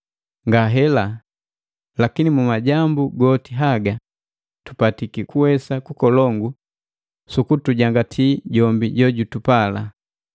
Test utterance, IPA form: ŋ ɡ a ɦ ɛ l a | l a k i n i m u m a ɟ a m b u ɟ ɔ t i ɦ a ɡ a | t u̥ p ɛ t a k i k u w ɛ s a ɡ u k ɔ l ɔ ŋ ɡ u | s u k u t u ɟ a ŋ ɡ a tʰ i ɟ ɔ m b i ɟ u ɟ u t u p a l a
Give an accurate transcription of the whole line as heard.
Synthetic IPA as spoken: ŋ ɡ a ɦ ɛ l a | l a k i n i m u m a ɟ a m b u ɡ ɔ t i ɦ a ɡ a | t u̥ p a t i k i k u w ɛ s a k u k ɔ l ɔ ŋ ɡ u | s u k u t u ɟ a ŋ ɡ a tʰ i ɟ ɔ m b i ɟ ɔ ɟ u t u p a l a